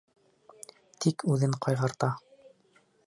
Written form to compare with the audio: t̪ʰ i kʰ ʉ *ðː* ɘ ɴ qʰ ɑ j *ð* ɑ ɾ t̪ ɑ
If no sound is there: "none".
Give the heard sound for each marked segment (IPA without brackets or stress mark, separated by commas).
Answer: ð, ʁ